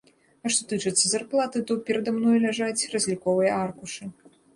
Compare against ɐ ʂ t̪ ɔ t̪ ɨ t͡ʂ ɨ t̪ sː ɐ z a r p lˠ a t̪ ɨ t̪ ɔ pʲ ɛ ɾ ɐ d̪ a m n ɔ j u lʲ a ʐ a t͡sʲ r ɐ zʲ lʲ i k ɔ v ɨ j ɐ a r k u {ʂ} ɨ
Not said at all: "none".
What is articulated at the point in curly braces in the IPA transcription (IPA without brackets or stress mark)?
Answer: ʂ